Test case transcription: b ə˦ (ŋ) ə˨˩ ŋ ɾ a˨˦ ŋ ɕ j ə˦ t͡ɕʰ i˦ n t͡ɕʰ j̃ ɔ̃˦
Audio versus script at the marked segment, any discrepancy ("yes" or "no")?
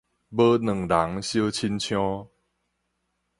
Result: yes